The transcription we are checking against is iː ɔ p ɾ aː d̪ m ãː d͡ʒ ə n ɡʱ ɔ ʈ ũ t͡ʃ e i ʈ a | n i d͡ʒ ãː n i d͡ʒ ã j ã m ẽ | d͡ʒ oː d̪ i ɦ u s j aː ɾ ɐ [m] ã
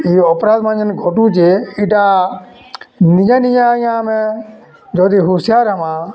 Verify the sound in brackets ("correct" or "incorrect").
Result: correct